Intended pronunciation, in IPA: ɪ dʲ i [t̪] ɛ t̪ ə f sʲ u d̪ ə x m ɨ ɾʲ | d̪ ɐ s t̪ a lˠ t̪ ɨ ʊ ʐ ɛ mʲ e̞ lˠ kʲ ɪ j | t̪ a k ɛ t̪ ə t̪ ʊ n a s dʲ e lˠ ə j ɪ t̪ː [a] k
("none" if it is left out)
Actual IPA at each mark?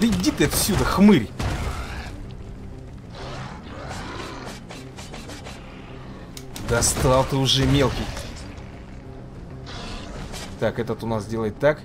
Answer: t̪, a

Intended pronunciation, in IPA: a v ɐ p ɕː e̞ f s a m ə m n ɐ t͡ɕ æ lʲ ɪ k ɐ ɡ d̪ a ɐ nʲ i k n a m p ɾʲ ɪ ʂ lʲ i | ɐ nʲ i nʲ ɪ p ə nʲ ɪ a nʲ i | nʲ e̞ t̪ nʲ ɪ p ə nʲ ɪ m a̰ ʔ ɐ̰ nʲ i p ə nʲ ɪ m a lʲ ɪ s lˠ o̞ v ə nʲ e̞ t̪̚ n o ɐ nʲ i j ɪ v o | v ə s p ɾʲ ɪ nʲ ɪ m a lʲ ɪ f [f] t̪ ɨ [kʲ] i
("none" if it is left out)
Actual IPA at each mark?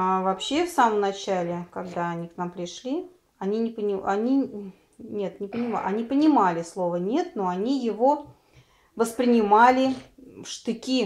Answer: ʂ, kʲ

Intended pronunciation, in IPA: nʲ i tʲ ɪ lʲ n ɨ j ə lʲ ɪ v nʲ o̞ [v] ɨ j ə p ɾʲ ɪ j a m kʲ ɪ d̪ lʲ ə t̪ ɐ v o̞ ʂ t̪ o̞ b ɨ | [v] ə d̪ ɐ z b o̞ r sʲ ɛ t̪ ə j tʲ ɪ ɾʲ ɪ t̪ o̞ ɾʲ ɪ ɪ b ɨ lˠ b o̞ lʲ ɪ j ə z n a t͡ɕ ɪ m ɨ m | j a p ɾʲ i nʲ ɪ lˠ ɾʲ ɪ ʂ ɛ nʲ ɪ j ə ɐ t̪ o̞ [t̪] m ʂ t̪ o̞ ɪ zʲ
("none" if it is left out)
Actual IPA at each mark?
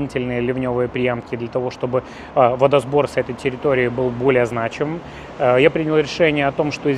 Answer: v, v, none

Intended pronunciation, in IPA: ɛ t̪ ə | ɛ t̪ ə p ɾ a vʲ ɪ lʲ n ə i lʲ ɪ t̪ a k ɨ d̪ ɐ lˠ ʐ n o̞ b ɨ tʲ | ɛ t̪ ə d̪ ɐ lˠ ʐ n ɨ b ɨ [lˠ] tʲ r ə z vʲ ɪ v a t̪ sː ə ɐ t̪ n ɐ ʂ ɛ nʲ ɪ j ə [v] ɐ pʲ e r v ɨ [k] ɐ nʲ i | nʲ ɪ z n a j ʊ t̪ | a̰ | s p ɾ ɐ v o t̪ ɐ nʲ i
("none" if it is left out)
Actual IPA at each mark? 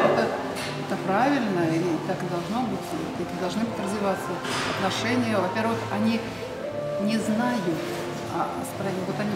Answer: none, v, x

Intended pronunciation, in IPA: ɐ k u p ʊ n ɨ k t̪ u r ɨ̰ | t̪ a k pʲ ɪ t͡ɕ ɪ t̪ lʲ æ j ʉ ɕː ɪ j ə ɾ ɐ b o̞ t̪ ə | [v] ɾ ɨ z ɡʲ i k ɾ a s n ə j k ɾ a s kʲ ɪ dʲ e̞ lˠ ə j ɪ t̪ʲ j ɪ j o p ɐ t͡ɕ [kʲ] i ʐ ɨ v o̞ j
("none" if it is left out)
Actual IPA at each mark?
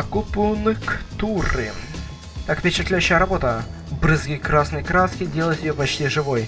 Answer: b, tʲ

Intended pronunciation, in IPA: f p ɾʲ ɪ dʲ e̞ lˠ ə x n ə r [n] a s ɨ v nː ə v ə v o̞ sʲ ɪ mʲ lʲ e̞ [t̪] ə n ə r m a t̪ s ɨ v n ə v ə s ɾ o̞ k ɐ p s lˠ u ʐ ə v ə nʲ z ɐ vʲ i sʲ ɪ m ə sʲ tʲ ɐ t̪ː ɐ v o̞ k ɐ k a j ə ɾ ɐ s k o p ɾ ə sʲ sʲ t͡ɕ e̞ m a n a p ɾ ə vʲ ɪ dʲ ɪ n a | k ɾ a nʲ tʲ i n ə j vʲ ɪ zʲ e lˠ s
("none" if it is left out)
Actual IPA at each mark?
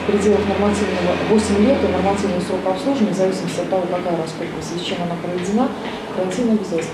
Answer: m, t̪

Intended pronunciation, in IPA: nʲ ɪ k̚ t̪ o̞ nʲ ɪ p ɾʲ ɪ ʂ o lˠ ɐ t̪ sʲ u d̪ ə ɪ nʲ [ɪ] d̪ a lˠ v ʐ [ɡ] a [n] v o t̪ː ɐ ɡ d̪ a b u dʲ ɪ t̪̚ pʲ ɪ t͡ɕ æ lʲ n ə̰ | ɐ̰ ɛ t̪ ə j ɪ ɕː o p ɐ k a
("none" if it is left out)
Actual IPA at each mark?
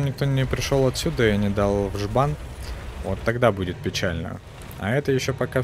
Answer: ɪ, b, n

